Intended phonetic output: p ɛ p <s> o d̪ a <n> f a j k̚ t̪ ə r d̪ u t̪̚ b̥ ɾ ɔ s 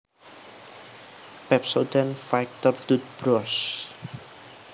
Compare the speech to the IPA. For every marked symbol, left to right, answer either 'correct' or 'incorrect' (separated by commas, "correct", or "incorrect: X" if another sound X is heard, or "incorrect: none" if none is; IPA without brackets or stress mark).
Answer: correct, correct